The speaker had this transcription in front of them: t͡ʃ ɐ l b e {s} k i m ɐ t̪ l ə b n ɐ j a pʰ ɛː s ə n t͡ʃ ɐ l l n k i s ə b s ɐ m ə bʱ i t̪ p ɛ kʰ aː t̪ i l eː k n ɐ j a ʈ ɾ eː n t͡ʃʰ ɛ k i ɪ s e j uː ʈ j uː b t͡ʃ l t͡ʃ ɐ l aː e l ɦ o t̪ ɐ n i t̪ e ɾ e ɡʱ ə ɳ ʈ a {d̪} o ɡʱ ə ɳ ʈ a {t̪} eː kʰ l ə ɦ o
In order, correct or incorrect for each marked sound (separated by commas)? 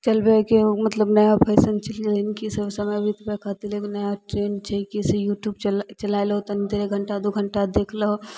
incorrect, correct, incorrect